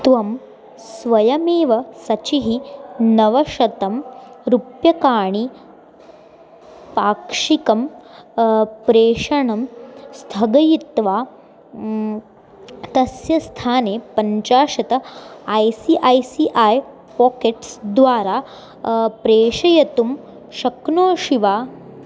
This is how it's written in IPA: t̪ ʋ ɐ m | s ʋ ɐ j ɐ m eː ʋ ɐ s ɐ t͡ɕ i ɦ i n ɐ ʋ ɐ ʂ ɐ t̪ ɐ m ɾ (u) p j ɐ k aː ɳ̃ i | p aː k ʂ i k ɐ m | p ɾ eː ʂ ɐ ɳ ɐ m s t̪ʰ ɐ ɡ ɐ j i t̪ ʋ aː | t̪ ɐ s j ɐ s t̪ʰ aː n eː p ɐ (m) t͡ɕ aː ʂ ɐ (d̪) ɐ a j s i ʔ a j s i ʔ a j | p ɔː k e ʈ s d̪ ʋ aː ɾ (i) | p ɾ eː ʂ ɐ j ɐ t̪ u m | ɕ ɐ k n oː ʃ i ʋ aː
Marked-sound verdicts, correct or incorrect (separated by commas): correct, incorrect, incorrect, incorrect